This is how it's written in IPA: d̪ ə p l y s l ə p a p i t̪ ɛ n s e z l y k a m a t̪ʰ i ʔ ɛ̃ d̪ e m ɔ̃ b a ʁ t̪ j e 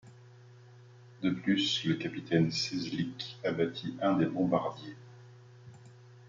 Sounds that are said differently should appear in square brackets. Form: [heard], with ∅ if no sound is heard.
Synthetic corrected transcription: d̪ ə p l y s l ə [k] a p i t̪ ɛ n s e z l [i] k a [b] a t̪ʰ i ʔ ɛ̃ d̪ e [b] ɔ̃ b a ʁ [d̪] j e